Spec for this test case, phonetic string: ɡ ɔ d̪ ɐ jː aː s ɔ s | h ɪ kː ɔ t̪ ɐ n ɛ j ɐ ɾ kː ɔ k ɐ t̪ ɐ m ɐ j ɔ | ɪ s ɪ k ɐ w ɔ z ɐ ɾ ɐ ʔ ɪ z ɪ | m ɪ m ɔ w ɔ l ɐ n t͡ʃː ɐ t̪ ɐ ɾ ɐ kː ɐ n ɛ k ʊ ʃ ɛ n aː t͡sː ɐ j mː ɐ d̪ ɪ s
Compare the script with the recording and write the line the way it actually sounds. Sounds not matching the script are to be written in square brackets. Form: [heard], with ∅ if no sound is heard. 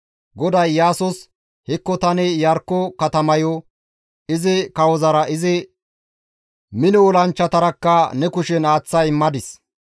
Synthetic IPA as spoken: ɡ ɔ d̪ ɐ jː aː s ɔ s | h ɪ kː ɔ t̪ ɐ n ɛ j ɐ ɾ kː ɔ k ɐ t̪ ɐ m ɐ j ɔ | ɪ [z] ɪ k ɐ w ɔ z ɐ ɾ ɐ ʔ ɪ z ɪ | m ɪ [n] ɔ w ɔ l ɐ n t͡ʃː ɐ t̪ ɐ ɾ ɐ kː ɐ n ɛ k ʊ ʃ ɛ n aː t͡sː ɐ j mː ɐ d̪ ɪ s